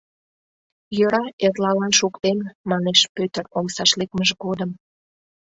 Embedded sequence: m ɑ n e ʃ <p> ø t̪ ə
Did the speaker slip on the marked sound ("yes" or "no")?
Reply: no